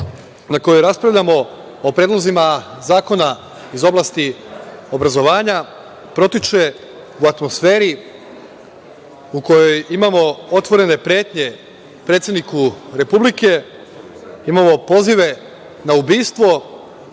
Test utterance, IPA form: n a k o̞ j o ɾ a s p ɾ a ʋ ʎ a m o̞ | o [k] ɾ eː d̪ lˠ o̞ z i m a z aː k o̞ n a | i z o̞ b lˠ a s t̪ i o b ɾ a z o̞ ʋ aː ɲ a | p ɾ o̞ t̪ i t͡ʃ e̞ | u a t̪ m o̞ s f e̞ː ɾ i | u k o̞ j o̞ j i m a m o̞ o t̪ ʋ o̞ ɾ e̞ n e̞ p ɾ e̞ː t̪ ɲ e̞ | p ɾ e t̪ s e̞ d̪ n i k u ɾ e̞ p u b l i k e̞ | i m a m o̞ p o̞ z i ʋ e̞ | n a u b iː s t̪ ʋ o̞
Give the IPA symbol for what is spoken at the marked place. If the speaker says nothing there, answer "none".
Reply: p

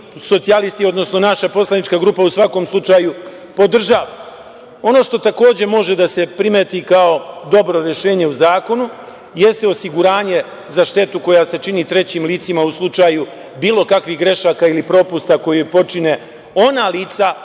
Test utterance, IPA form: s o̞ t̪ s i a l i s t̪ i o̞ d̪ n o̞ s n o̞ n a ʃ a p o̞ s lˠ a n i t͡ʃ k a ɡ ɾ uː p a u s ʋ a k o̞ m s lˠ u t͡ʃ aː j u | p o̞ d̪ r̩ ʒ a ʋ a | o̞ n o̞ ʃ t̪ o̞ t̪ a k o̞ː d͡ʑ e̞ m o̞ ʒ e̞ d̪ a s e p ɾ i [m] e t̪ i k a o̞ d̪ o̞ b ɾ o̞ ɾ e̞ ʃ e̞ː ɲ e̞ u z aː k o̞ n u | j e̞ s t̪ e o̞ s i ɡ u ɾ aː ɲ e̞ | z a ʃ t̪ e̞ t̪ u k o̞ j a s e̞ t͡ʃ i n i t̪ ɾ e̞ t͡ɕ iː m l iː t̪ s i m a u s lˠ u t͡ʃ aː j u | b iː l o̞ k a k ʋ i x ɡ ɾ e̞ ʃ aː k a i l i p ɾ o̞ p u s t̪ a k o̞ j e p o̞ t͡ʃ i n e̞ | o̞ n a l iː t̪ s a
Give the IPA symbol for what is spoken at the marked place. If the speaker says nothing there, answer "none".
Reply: m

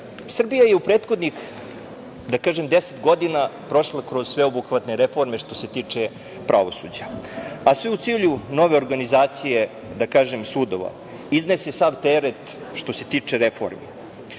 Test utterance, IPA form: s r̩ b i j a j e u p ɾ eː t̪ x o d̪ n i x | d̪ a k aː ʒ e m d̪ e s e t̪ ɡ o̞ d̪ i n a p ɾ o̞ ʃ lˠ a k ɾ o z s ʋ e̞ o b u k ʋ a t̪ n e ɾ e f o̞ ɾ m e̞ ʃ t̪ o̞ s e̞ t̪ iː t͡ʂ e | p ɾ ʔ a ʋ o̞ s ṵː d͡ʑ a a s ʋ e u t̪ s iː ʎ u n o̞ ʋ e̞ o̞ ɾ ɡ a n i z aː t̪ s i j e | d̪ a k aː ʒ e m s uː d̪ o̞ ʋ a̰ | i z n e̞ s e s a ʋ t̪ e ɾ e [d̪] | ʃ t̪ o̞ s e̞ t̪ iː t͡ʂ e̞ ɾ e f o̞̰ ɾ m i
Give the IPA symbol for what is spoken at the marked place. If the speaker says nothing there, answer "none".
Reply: t̪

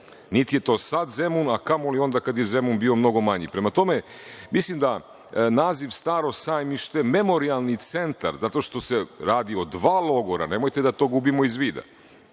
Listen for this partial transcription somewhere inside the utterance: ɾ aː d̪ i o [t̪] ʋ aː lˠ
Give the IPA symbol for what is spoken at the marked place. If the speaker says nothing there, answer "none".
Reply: d̪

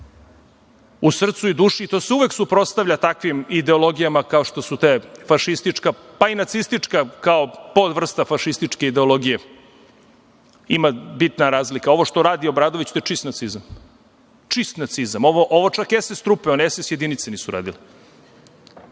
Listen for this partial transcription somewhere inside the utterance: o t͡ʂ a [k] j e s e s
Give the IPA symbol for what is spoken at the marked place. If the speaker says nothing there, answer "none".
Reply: k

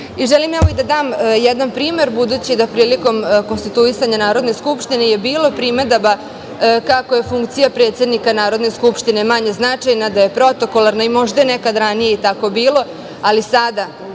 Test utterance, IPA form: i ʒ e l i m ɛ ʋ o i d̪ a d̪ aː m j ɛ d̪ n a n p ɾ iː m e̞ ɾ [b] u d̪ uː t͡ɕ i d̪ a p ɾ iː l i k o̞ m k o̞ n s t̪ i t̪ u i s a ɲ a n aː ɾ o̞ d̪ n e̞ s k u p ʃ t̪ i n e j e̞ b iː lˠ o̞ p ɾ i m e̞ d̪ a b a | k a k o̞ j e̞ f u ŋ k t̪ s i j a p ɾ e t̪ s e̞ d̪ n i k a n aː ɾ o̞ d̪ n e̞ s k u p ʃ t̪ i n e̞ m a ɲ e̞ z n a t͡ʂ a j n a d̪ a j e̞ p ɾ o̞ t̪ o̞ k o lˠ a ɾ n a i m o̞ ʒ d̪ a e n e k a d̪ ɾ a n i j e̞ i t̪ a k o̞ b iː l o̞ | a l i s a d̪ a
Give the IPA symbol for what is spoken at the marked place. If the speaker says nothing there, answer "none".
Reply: b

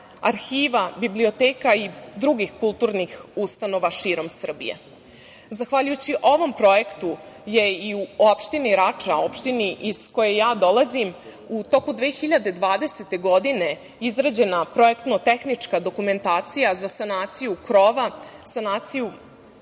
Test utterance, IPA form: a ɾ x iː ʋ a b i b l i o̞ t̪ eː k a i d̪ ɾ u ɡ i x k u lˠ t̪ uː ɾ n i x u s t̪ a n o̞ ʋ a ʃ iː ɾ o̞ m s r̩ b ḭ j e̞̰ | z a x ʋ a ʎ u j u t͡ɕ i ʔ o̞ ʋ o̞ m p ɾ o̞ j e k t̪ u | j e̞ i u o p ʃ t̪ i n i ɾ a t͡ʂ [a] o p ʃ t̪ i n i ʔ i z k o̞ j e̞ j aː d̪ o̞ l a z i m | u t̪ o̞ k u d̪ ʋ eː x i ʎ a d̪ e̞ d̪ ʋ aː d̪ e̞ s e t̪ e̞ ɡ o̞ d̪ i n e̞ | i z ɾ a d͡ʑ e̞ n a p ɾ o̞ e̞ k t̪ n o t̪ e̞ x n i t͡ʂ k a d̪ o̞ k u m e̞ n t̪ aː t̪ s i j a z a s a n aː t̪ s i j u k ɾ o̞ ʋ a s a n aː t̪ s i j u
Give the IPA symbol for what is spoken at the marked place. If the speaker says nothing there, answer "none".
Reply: a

